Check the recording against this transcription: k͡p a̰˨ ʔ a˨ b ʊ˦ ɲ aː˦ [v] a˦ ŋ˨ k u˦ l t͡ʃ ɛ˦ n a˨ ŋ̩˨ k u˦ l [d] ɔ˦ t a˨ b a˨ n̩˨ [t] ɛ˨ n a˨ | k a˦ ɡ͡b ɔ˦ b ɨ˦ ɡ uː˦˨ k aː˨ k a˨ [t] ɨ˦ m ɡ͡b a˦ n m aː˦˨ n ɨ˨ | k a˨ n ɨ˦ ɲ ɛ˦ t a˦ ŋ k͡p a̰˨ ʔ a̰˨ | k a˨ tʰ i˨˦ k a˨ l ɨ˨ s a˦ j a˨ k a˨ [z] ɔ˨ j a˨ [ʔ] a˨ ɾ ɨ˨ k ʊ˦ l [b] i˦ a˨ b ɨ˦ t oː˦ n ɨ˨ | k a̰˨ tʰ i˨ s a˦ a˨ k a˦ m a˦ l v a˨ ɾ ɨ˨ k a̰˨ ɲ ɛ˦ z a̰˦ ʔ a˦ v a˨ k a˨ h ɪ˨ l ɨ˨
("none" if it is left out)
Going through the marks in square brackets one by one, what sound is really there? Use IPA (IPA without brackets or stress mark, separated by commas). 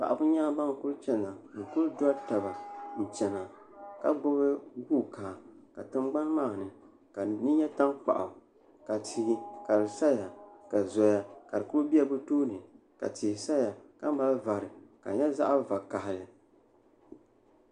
b, d, t͡ʃ, t, z, k, b